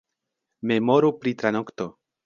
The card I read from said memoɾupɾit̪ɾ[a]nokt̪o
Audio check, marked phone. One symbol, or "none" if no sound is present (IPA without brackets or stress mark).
a